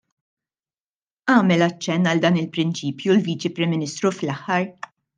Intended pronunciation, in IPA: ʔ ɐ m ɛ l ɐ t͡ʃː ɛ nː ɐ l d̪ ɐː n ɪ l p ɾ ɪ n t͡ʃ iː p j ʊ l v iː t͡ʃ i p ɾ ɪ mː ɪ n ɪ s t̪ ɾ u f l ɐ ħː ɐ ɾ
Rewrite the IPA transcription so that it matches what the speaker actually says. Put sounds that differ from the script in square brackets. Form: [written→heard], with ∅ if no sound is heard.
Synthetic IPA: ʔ [ɐ→ɐː] m ɛ l ɐ t͡ʃː ɛ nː ɐ l d̪ ɐː n ɪ l p ɾ ɪ n t͡ʃ iː p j [ʊ→u] l v iː t͡ʃ i p ɾ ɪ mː ɪ n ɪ s t̪ ɾ u f l ɐ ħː ɐ ɾ